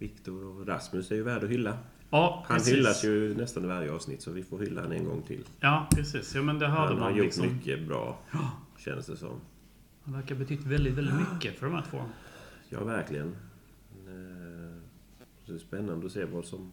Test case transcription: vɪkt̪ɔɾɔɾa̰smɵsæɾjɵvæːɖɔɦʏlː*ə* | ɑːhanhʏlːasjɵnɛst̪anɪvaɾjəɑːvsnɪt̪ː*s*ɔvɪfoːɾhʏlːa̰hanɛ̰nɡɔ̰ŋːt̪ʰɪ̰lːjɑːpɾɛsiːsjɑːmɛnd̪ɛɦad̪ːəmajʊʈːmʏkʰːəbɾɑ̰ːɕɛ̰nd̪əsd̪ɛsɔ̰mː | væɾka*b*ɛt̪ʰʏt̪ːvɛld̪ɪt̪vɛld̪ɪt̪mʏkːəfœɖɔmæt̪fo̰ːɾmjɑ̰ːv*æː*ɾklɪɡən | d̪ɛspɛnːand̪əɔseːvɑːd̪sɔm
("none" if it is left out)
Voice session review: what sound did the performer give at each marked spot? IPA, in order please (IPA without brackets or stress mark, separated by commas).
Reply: a, s, b, æ